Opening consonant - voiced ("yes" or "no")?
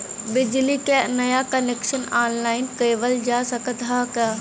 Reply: yes